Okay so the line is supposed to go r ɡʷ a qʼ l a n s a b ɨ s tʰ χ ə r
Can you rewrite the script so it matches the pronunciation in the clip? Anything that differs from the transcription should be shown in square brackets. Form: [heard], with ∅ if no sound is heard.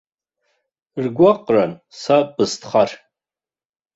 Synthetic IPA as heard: r ɡʷ a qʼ [r] a n s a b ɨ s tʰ χ [a] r